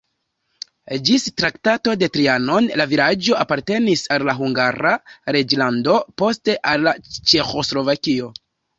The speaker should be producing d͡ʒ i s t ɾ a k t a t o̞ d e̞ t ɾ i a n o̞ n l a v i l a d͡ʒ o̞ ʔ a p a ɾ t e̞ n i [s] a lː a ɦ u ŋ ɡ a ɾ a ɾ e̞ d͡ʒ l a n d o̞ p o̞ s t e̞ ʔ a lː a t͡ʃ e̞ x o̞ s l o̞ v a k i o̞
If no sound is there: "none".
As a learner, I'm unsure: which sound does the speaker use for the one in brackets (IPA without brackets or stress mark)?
s